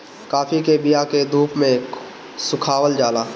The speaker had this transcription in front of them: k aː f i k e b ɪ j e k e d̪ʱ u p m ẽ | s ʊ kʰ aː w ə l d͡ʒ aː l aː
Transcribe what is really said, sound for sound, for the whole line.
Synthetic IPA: k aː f i k e b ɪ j a k e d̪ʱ uː p m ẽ | s ʊ kʰ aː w ə l d͡ʒ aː l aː